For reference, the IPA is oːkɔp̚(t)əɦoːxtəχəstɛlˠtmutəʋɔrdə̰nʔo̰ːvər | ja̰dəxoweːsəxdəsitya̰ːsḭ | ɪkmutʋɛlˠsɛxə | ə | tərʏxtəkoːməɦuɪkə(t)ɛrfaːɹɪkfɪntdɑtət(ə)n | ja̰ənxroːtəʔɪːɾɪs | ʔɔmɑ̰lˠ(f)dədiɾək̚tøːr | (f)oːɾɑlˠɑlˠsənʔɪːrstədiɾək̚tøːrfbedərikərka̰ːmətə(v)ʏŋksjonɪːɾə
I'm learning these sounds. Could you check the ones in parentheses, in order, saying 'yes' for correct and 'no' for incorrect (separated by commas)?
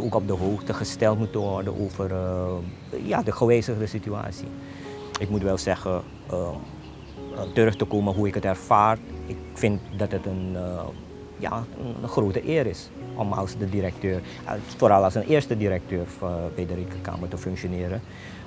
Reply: no, yes, yes, no, yes, no